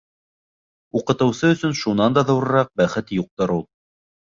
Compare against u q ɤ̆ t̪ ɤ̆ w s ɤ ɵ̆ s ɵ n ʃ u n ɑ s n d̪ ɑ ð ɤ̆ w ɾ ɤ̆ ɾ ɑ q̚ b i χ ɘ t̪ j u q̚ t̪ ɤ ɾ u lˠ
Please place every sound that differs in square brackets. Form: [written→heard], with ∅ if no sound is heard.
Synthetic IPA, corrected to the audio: u q ɤ̆ t̪ ɤ̆ w s ɤ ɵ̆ s ɵ n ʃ u n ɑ [s→∅] n d̪ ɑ ð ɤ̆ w ɾ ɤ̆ ɾ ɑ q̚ b [i→æ] χ ɘ t̪ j u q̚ t̪ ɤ ɾ u lˠ